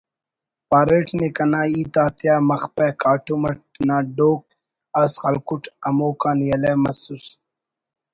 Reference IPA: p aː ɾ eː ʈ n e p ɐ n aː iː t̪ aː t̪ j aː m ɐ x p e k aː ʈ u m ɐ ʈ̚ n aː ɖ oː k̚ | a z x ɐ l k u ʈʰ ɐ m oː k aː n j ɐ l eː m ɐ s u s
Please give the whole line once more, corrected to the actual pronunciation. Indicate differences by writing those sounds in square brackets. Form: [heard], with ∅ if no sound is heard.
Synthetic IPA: p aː ɾ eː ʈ n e [k] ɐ n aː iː t̪ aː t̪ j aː m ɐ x p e k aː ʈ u m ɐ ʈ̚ n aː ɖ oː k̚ | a [s] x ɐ l k u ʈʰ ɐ m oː k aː n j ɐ l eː m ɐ s u s